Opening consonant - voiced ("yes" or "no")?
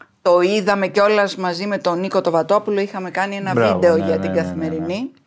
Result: no